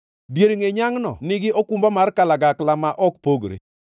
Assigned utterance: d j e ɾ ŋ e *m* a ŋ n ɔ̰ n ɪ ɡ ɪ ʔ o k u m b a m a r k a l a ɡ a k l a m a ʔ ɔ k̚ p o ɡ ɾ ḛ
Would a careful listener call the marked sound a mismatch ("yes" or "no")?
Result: yes